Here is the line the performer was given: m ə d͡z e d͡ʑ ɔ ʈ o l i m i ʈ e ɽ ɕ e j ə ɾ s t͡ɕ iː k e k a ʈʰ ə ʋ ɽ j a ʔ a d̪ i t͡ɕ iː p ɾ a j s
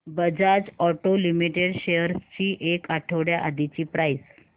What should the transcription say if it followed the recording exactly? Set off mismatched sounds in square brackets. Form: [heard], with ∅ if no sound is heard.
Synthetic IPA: [b] ə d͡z [a] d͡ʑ ɔ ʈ o l i m i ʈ e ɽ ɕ e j ə ɾ s t͡ɕ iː [ʔ] e k a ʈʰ ə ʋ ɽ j a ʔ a d̪ i t͡ɕ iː p ɾ a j s